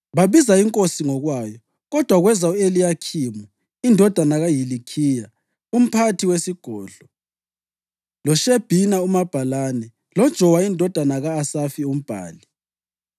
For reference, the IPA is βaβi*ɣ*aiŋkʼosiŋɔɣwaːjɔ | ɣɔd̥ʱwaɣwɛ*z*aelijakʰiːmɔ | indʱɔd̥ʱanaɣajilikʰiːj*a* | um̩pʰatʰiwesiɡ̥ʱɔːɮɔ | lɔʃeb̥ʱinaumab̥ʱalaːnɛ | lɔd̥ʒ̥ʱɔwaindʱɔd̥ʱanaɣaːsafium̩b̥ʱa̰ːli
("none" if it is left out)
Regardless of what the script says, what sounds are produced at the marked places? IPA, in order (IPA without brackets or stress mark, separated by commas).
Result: z, z, a